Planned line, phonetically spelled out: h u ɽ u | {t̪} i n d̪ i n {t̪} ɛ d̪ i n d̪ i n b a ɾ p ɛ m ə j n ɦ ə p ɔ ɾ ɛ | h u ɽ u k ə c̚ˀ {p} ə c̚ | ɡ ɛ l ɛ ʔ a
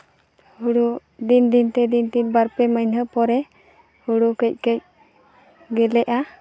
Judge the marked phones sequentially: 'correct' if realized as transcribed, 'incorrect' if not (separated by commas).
incorrect, correct, incorrect